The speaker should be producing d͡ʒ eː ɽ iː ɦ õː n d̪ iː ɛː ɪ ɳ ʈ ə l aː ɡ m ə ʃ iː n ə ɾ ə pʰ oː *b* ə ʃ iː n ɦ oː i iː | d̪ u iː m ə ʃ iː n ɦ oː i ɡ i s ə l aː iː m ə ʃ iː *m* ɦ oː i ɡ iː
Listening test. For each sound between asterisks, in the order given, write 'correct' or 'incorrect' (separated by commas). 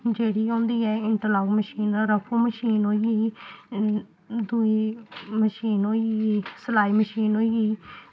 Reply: incorrect, incorrect